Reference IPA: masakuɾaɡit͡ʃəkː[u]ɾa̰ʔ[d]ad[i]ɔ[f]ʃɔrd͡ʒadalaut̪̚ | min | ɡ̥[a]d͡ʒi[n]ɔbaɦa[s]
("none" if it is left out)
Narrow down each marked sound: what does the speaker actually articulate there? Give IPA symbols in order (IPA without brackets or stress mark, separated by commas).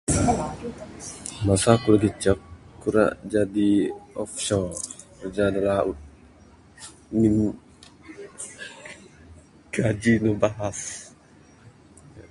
u, d͡ʒ, i, f, a, n, s